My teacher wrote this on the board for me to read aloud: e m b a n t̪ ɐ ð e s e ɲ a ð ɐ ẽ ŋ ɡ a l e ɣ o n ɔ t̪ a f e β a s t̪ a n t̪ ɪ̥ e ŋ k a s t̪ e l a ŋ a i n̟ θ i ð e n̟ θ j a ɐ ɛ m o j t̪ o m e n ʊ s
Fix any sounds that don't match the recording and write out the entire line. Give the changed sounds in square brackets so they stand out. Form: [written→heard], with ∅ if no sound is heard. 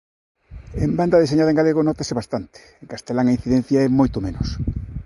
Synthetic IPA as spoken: e m b a n [t̪→d̪] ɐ ð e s e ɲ a ð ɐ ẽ ŋ ɡ a l e ɣ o n ɔ t̪ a [f→s] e β a s t̪ a n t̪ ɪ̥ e ŋ k a s t̪ e l a ŋ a i n̟ θ i ð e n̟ θ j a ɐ ɛ m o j t̪ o m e n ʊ s